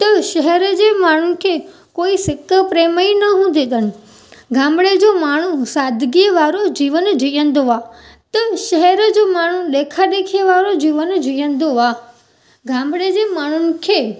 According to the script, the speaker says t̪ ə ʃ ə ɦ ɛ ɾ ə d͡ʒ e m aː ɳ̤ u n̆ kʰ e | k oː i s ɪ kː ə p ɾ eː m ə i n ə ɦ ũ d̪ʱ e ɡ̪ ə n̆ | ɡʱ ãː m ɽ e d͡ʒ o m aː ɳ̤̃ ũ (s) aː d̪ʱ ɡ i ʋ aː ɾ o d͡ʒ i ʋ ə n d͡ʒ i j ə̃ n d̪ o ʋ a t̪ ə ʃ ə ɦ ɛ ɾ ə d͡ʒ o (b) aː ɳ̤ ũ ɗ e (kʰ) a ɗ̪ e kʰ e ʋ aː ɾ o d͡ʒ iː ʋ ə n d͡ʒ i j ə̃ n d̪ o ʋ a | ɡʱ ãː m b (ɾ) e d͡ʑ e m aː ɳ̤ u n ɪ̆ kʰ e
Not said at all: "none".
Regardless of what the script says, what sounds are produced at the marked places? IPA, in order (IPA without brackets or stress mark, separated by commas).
s, m, kʰ, ɽ